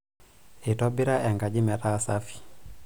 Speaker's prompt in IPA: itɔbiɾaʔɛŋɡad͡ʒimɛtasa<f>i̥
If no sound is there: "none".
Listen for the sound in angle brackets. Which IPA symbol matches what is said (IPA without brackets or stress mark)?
f